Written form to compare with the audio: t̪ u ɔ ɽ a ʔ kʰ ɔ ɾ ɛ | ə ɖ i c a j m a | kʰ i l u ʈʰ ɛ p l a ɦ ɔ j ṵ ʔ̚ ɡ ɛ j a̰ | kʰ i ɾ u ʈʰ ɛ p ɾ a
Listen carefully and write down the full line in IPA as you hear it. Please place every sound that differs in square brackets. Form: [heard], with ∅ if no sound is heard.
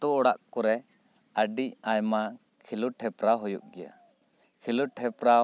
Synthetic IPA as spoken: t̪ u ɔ ɽ a ʔ [k] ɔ ɾ ɛ | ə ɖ i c a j m a | kʰ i l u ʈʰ ɛ p [ɾ] a ɦ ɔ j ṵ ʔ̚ ɡ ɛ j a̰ | kʰ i [l] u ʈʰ ɛ p ɾ a